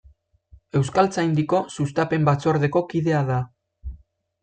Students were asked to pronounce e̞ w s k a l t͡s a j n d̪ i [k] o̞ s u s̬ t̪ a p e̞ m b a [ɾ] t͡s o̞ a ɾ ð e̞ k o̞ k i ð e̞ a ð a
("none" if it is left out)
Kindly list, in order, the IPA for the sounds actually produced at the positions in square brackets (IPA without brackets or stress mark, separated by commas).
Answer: k, none